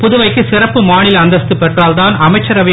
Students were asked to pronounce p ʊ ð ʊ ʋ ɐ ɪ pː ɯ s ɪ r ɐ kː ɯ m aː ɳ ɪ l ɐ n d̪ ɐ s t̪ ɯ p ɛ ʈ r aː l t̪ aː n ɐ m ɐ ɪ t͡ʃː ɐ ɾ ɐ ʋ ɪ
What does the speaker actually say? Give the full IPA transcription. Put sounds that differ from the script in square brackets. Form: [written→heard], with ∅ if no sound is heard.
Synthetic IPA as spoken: p ʊ ð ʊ ʋ ɐ ɪ [pː→kː] ɯ s ɪ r ɐ [kː→pː] ɯ m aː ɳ ɪ l ɐ n d̪ ɐ s t̪ ɯ p ɛ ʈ r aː l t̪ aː n ɐ m ɐ ɪ t͡ʃː ɐ ɾ ɐ ʋ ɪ